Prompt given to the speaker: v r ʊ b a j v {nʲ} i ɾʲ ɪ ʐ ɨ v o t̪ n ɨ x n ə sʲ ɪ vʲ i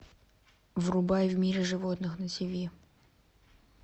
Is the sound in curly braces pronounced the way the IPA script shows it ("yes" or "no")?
no